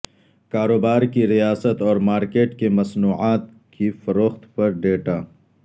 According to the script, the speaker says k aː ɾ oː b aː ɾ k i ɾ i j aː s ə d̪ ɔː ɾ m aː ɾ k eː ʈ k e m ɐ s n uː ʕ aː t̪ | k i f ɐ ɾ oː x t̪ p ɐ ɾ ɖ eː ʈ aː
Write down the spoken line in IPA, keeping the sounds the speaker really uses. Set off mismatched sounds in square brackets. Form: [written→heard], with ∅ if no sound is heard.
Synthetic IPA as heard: k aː ɾ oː b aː ɾ k i ɾ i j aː s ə [d̪→t̪] ɔː ɾ m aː ɾ k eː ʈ k e m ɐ s n uː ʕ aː t̪ | k i f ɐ ɾ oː x t̪ p ɐ ɾ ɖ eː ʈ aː